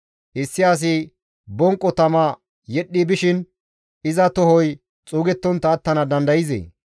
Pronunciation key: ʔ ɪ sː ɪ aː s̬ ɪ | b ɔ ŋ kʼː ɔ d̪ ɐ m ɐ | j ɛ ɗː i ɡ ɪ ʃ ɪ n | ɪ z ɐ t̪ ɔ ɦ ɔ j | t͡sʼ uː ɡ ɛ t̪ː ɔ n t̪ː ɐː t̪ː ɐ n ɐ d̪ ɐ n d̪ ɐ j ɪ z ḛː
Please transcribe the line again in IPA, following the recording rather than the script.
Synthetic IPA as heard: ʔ ɪ sː ɪ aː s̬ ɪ | b ɔ ŋ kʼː ɔ t̪ ɐ m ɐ | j ɛ ɗː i b ɪ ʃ ɪ n | ɪ z ɐ t̪ ɔ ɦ ɔ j | t͡sʼ uː ɡ ɛ t̪ː ɔ n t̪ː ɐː t̪ː ɐ n ɐ d̪ ɐ n d̪ ɐ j ɪ z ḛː